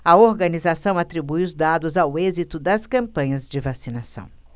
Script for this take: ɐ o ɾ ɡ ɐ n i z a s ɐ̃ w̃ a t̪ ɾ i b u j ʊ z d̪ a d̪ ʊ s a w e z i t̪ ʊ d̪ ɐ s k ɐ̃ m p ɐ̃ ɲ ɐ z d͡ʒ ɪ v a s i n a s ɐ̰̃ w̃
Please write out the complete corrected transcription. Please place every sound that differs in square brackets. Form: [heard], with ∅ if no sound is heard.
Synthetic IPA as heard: ɐ o ɾ ɡ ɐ n i z a s ɐ̃ w̃ a t̪ ɾ i b u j ʊ z d̪ a d̪ ʊ [z] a w e z i t̪ ʊ d̪ ɐ s k ɐ̃ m p ɐ̃ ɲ ɐ z d͡ʒ ɪ v a s i n a s ɐ̰̃ w̃